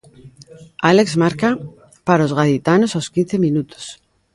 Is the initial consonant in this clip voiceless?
no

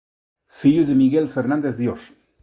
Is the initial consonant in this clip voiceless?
yes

